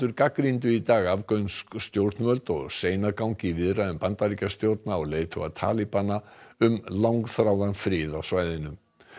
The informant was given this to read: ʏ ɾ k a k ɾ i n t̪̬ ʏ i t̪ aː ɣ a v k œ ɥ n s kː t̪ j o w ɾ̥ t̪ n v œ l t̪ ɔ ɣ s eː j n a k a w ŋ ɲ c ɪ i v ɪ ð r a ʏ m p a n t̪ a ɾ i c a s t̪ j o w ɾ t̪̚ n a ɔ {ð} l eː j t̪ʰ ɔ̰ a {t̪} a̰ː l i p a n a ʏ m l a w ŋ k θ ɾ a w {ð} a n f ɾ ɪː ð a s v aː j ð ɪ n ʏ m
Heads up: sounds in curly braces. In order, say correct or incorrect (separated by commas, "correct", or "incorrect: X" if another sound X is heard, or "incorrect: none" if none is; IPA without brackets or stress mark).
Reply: incorrect: ɣ, incorrect: t̪ʰ, correct